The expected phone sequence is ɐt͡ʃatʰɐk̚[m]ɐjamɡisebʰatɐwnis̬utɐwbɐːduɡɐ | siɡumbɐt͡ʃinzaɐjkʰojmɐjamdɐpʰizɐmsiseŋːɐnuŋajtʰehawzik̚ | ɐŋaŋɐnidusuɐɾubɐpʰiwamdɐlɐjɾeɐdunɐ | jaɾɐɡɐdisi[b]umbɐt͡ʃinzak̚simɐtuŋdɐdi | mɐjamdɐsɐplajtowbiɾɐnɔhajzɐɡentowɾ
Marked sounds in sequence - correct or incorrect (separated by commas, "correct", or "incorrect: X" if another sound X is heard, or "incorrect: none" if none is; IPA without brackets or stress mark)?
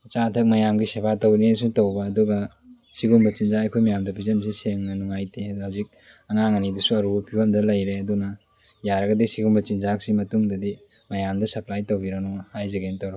correct, incorrect: ɡ